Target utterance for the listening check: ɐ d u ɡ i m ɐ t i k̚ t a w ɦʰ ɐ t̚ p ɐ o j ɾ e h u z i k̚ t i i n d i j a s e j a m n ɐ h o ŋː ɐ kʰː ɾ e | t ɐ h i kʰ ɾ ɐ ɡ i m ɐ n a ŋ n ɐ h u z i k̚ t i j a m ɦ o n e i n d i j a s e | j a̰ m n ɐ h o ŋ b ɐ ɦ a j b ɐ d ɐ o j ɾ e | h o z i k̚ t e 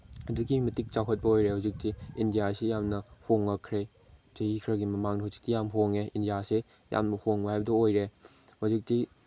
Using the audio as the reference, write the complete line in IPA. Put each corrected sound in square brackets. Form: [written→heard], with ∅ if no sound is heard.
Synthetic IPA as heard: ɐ d u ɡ i m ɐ t i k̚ [t→t͡ʃ] a w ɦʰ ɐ t̚ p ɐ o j ɾ e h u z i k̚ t i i n d i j a s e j a m n ɐ h o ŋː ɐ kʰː ɾ e | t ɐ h i kʰ ɾ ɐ ɡ i m ɐ [n→m] a ŋ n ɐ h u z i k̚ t i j a m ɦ o [n→ŋ] e i n d i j a s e | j a̰ m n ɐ h o ŋ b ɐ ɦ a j b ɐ d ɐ o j ɾ e | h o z i k̚ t [e→i]